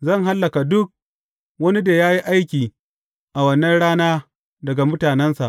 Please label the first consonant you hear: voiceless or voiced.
voiced